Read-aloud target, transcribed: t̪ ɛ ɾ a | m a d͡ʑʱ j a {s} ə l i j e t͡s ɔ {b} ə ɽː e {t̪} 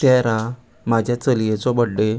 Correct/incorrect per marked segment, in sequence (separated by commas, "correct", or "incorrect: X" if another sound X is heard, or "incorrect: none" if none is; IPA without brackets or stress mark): incorrect: t͡s, correct, incorrect: none